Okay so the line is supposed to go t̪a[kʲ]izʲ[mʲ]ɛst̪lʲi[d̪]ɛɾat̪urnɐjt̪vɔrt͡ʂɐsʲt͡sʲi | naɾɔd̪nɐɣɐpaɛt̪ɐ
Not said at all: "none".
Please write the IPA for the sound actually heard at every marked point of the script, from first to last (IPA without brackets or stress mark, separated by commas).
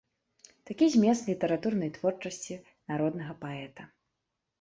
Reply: kʲ, mʲ, t̪